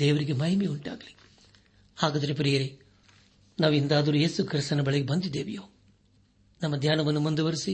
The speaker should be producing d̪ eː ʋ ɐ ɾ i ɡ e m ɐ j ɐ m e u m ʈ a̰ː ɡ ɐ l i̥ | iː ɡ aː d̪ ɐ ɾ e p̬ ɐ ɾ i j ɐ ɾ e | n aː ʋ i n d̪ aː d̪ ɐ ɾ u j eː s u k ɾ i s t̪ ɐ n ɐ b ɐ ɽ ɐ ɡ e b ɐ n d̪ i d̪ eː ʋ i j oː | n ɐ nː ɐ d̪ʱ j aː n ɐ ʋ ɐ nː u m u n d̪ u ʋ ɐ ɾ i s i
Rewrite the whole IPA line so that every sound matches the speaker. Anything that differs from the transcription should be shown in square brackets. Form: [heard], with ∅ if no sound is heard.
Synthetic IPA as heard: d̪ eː ʋ ɐ ɾ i ɡ e m ɐ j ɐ m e u [ɳ] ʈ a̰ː ɡ ɐ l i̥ | [aː] ɡ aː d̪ ɐ ɾ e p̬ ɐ ɾ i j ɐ ɾ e | n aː ʋ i n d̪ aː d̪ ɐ ɾ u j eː s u k ɾ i s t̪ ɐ n ɐ b ɐ [ɭ] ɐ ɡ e b ɐ n d̪ i d̪ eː ʋ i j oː | n ɐ [mː] ɐ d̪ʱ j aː n ɐ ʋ ɐ nː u m u n d̪ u ʋ ɐ ɾ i s i